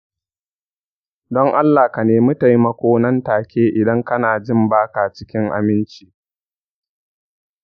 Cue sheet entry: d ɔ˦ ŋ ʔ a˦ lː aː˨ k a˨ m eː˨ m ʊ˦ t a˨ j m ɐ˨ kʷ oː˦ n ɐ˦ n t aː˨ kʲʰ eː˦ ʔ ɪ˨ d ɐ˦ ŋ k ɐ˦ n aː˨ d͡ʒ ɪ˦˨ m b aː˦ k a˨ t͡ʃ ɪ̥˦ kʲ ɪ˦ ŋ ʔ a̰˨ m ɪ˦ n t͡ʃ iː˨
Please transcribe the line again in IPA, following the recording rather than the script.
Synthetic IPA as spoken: d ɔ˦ ŋ ʔ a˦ lː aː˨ k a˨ n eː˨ m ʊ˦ t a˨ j m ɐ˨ kʷ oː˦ n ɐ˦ n t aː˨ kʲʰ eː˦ ʔ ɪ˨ d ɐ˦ ŋ k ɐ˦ n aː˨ d͡ʒ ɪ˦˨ m b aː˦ k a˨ t͡ʃ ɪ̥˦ kʲ ɪ˦ ŋ ʔ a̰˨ m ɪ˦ n t͡ʃ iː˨